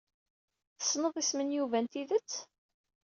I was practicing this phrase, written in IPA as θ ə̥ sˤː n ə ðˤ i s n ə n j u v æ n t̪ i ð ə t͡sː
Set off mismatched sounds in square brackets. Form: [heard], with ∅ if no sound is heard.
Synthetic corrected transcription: θ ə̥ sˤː n ə ðˤ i s [m] ə n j u v æ n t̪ i ð ə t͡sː